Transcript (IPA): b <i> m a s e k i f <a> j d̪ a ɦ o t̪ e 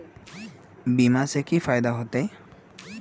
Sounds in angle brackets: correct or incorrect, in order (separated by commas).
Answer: correct, correct